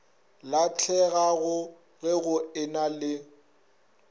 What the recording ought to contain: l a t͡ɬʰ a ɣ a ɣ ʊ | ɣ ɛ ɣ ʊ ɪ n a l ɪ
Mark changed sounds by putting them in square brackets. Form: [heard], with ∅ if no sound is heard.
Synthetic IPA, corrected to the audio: l a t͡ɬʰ [ɛ] ɣ a ɣ ʊ | ɣ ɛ ɣ ʊ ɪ n a l ɪ